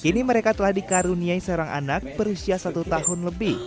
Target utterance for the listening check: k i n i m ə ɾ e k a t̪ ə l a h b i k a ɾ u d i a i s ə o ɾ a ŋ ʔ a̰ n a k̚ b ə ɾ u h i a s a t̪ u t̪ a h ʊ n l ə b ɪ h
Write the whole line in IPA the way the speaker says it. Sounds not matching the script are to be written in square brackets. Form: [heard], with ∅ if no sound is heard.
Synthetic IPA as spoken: k i n i m ə ɾ e k a t̪ ə l a h [d] i k a ɾ u [n] i a i s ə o ɾ a ŋ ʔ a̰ n a k̚ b ə ɾ u [s] i a s a t̪ u t̪ a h ʊ n l ə b ɪ h

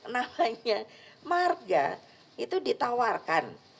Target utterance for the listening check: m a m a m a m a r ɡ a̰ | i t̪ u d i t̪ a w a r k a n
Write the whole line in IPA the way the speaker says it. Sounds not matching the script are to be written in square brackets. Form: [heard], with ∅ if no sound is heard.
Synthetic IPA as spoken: [n] a m a [ɲ] a m a r ɡ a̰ | i t̪ u d i t̪ a w a r k a n

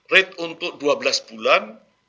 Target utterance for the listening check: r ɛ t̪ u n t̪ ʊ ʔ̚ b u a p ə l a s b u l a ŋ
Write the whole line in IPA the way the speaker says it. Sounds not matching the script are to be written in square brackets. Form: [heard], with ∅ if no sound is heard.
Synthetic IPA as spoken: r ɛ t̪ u n t̪ ʊ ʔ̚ [d] u a [b] ə l a s b u l a [n]

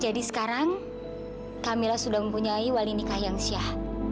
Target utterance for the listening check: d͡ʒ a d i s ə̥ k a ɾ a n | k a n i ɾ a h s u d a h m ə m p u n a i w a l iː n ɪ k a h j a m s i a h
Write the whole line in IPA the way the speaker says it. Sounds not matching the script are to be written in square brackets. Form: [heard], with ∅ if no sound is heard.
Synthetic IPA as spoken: d͡ʒ a d i s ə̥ k a ɾ a [ŋ] | k a [m] i [l] a h s u d a h m ə m p u [ɲ] a i w a l [i] n [i] k a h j a [ŋ] s i a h

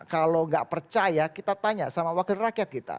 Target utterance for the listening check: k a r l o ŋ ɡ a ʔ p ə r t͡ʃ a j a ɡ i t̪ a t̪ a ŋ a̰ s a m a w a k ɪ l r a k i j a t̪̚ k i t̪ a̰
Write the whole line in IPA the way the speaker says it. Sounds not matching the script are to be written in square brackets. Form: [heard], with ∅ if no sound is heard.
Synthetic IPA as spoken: k a [∅] l o ŋ ɡ a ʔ p ə r t͡ʃ a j a [k] i t̪ a t̪ a [ɲ] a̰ s a m a w a k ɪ l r a k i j a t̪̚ k i t̪ a̰

